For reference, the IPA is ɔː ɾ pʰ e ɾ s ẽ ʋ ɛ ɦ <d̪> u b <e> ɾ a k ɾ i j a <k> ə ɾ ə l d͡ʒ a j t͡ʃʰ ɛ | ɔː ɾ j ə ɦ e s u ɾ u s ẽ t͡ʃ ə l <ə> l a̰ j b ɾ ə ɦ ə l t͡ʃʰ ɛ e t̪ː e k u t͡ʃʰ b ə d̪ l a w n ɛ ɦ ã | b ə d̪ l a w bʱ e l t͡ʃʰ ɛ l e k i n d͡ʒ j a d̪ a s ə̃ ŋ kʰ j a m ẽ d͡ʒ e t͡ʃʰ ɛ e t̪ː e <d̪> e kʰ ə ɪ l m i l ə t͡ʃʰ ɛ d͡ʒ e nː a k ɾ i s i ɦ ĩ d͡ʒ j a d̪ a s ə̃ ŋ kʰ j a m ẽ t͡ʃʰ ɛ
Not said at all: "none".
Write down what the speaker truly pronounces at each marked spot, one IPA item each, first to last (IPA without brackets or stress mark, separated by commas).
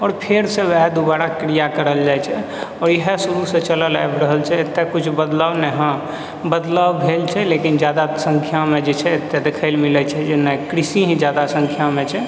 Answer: d̪, a, k, ə, d̪